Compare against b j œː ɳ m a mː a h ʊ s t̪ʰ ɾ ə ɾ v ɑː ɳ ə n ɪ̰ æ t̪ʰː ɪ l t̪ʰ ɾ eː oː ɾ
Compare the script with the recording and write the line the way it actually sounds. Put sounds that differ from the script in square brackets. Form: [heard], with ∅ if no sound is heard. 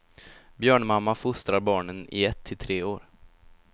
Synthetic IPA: b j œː ɳ m a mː a [f] ʊ s [t̪] ɾ [a] ɾ [b] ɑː ɳ ə n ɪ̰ [ɛ] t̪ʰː ɪ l t̪ʰ ɾ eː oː ɾ